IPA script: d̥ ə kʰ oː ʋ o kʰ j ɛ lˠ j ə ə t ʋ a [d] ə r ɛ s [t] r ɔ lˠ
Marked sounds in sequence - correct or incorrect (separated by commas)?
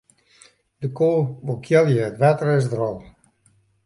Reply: incorrect, incorrect